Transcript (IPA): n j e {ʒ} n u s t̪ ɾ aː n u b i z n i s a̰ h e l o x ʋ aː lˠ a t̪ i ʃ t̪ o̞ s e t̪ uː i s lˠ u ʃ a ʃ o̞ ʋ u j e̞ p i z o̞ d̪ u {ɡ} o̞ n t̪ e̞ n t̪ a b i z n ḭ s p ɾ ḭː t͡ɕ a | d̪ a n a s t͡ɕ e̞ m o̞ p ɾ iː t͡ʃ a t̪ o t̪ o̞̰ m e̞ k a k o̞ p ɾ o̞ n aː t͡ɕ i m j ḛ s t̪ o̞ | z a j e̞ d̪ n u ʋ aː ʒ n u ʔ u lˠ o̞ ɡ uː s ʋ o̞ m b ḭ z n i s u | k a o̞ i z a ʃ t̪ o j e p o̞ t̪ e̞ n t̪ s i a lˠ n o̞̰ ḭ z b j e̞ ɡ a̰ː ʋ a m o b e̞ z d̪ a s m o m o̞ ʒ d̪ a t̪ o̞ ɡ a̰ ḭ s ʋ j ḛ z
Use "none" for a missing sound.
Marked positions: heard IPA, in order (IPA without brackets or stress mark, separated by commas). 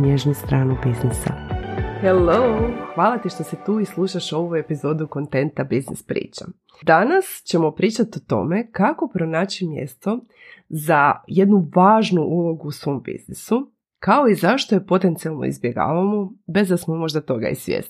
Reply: ʒ, k